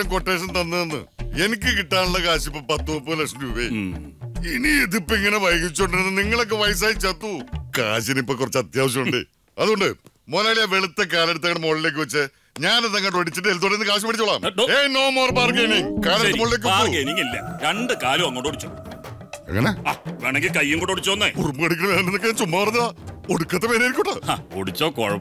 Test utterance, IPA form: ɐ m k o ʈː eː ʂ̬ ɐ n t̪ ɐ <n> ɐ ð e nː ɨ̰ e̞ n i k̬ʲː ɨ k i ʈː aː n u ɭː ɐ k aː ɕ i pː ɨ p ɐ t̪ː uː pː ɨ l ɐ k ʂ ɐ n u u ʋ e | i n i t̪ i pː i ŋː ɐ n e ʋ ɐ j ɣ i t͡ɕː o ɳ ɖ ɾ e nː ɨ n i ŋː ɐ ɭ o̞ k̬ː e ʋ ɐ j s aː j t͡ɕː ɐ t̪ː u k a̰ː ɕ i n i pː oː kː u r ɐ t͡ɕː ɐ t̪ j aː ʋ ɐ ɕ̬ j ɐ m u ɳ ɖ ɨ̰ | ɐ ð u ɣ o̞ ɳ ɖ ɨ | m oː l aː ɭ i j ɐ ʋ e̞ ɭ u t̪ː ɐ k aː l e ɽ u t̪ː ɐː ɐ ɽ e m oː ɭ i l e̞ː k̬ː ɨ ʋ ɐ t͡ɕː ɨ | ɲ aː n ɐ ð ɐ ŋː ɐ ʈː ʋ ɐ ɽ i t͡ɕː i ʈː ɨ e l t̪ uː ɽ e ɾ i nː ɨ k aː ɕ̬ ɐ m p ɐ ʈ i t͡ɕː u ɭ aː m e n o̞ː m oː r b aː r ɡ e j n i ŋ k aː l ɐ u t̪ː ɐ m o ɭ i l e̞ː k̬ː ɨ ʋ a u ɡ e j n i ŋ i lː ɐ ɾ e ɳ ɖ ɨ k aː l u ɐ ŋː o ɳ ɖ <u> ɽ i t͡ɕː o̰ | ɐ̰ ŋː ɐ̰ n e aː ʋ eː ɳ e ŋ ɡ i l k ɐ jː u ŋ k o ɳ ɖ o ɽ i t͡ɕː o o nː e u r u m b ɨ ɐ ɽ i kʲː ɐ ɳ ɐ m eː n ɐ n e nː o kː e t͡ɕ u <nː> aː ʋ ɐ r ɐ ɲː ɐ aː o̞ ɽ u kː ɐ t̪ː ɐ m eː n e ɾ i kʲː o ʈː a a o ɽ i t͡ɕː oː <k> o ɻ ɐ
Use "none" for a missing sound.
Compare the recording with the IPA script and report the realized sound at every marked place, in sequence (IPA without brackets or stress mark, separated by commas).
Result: nː, o, mː, k